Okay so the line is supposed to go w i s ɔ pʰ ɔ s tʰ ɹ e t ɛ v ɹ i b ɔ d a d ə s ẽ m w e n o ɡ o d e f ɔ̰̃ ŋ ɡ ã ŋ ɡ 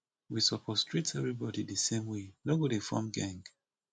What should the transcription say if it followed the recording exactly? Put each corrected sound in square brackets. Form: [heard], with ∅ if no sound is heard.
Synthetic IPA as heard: w i s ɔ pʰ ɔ s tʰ ɹ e t ɛ v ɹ i b ɔ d [i] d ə s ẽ m w e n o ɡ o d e f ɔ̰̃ [m] ɡ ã ŋ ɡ